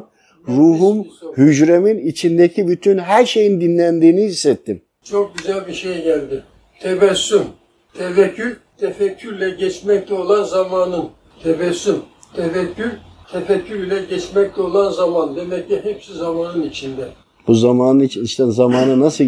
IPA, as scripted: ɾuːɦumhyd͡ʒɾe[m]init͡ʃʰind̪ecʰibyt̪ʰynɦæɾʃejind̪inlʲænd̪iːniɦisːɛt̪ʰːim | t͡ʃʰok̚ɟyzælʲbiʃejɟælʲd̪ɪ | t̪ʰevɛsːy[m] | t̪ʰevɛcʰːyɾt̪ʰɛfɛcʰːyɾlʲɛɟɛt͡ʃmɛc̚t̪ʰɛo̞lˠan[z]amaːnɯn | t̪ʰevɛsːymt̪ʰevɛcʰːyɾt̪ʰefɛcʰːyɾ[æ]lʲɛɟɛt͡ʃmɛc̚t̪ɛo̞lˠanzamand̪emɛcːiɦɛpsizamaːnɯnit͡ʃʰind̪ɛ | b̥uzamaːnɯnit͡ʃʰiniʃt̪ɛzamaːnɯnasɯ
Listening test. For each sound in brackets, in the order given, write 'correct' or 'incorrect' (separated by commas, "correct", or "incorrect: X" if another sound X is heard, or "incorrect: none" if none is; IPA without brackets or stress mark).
correct, correct, correct, incorrect: i